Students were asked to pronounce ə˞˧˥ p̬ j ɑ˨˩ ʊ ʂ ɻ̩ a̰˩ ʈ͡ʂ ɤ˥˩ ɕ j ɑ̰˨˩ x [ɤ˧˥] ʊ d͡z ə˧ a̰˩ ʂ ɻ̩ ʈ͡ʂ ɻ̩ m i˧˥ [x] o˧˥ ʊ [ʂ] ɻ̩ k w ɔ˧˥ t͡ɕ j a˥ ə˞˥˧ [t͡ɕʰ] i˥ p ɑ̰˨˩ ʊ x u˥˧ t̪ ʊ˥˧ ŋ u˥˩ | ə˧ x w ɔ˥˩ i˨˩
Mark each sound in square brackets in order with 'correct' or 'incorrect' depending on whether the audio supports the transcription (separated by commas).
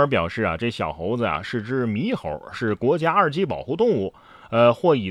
incorrect, correct, correct, incorrect